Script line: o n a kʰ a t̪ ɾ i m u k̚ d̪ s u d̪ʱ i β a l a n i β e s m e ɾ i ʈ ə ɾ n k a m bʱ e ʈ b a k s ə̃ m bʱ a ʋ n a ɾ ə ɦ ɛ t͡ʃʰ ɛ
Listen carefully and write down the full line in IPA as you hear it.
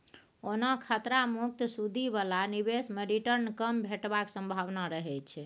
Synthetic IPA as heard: o n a kʰ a t̪ ɾ a m u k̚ t̪ s u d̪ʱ i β a l a n i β e s m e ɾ i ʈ ə ɾ n k ə m bʱ e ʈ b a k s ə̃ m bʱ a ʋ n a ɾ ə ɦ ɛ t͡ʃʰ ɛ